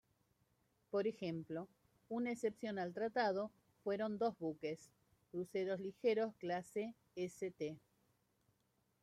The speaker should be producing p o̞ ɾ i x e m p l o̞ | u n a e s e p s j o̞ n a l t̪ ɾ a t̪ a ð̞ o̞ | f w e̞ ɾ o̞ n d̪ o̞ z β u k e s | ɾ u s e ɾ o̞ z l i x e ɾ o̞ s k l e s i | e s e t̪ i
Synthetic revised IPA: p o̞ ɾ e x e m p l o̞ | u n a e s e p s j o̞ n a l t̪ ɾ a t̪ a ð̞ o̞ | f w e̞ ɾ o̞ n d̪ o̞ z β u k e s | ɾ u s e ɾ o̞ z l i x e ɾ o̞ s k l a s e | e s e t̪ e